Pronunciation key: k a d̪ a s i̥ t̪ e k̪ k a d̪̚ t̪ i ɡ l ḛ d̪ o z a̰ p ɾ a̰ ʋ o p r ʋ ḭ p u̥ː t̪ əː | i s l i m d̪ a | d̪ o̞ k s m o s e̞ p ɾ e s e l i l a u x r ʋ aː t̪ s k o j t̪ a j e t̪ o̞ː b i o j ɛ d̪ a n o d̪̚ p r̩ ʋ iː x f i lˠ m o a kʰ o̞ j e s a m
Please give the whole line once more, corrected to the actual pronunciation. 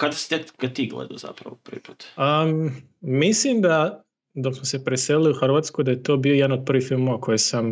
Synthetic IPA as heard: k a d̪ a s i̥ t̪ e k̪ k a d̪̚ t̪ i ɡ l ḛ d̪ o z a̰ p ɾ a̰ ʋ o p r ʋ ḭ p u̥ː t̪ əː | i s l i m d̪ a | d̪ o̞ k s m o s e̞ p ɾ e s e l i l i u x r ʋ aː t̪ s k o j d̪ a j e t̪ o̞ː b i o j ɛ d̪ a n o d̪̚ p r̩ ʋ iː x f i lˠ m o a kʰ o̞ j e s a m